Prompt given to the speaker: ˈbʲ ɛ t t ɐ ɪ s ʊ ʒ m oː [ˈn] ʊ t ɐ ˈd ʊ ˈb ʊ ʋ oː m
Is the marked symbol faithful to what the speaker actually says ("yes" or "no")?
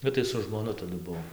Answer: yes